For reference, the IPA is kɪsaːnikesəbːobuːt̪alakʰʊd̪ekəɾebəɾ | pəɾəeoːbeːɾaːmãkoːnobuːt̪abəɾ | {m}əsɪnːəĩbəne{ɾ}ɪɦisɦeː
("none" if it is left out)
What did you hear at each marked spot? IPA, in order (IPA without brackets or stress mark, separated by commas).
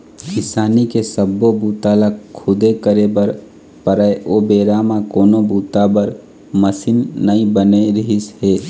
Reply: m, ɾ